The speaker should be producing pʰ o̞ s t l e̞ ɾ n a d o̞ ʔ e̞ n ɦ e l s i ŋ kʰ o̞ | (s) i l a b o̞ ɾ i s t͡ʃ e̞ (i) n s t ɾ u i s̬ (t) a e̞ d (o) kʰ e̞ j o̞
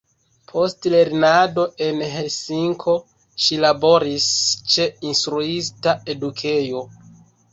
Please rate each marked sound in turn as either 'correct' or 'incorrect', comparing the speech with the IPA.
incorrect: ʃ, correct, correct, incorrect: u

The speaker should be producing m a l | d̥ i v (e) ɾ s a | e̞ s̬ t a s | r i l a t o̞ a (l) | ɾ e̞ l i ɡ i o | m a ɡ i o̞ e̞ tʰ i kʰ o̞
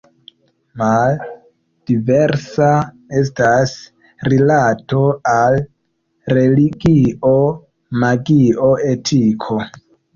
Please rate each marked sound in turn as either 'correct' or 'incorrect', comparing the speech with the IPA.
correct, correct

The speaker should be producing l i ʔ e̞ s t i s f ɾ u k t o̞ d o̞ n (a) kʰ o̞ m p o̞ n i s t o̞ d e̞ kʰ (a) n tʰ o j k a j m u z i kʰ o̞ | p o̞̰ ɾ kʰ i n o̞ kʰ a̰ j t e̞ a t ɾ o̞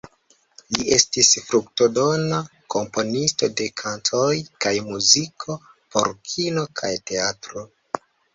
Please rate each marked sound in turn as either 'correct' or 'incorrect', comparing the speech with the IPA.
correct, correct

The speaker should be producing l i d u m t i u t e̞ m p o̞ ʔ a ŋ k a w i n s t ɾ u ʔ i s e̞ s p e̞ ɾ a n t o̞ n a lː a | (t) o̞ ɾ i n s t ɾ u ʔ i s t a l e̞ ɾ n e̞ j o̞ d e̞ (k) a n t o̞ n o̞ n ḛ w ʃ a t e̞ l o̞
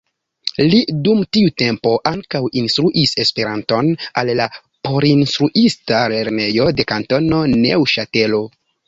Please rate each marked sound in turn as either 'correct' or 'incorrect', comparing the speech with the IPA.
incorrect: p, correct

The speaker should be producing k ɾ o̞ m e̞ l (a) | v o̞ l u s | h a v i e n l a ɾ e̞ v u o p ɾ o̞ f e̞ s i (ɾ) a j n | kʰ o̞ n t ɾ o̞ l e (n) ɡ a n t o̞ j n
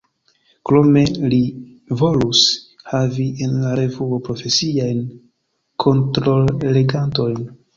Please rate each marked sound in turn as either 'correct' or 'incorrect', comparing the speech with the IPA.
incorrect: i, incorrect: none, incorrect: none

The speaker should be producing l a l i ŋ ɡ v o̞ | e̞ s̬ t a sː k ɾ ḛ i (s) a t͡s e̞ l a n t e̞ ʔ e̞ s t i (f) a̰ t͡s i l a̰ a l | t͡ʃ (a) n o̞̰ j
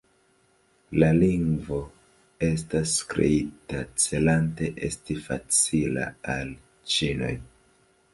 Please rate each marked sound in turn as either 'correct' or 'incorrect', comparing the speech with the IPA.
incorrect: t, correct, incorrect: i

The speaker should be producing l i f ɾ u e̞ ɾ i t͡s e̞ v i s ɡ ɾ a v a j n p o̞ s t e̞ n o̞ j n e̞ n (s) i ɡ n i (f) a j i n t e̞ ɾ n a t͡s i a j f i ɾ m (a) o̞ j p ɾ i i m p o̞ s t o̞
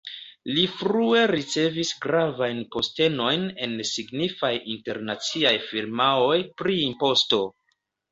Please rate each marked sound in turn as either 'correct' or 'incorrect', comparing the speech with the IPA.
correct, correct, correct

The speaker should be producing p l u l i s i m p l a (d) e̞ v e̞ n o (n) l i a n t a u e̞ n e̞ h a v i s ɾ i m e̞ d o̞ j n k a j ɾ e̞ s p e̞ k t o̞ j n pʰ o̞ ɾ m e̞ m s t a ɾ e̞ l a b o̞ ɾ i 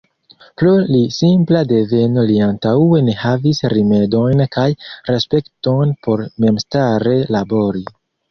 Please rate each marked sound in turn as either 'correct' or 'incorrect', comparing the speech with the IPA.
correct, incorrect: none

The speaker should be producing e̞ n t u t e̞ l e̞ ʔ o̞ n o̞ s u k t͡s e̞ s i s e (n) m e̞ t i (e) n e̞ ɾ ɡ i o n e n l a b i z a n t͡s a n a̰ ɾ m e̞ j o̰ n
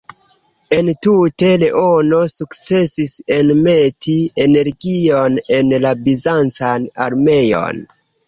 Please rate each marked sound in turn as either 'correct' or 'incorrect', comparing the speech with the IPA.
correct, correct

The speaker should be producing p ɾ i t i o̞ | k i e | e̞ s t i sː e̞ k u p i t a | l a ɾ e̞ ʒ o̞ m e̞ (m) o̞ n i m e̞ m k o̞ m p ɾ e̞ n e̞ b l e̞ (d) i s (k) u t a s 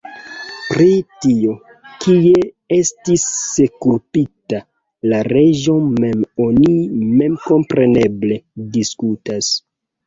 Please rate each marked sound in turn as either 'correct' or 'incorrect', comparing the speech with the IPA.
correct, correct, correct

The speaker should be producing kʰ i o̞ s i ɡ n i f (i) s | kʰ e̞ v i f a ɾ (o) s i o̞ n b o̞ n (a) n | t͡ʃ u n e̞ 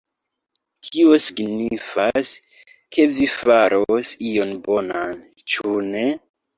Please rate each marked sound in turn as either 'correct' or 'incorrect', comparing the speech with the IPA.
incorrect: a, correct, correct

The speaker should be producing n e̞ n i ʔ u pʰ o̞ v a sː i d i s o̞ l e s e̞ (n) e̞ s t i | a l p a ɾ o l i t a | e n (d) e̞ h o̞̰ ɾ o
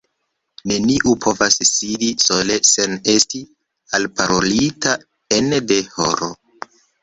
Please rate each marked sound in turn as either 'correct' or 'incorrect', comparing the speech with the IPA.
correct, correct

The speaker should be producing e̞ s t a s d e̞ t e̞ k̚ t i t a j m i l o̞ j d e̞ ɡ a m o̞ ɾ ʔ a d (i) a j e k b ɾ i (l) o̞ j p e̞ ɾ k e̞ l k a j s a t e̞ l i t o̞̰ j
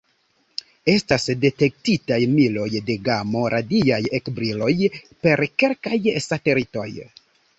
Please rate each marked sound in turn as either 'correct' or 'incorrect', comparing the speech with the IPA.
correct, correct

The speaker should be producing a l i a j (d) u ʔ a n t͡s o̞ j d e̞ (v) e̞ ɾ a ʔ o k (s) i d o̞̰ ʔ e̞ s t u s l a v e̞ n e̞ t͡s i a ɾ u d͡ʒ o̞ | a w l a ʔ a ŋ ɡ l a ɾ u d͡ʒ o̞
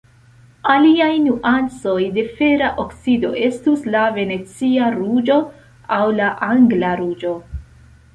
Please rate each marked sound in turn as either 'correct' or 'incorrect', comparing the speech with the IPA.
incorrect: n, incorrect: f, correct

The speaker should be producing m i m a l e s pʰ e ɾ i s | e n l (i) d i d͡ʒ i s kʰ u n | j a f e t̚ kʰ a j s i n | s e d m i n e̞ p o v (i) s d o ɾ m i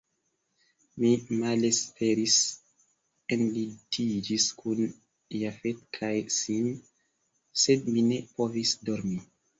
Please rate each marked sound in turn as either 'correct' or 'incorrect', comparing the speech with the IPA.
correct, correct

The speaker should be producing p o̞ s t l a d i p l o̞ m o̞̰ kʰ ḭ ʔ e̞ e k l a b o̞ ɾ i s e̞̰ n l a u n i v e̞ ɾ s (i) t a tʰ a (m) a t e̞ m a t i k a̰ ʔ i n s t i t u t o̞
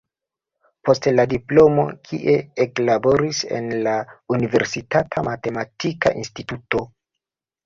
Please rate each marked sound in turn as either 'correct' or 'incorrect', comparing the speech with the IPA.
correct, correct

